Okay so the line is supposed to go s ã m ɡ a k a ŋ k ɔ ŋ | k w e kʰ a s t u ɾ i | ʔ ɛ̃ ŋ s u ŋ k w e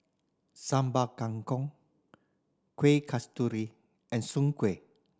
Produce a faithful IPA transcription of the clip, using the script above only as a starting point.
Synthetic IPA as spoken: s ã m b a k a ŋ k ɔ ŋ | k w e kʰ a s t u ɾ i | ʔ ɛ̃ n s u ŋ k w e